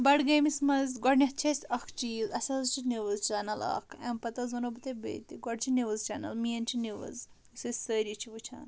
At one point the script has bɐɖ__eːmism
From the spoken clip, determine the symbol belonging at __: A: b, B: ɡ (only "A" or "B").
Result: B